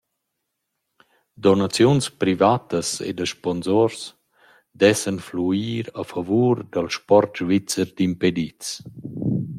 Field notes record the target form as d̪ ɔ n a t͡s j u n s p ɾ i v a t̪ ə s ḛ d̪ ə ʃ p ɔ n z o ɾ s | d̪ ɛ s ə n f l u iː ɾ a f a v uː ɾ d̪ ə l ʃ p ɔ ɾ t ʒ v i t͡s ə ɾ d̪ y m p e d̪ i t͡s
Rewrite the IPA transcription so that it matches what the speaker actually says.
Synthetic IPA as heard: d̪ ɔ n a t͡s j u n s p ɾ i v a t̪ ə s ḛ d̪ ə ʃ p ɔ n z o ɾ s | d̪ ɛ s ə n f l u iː ɾ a f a v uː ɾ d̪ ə l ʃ p ɔ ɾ t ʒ v i t͡s ə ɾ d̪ i m p e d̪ i t͡s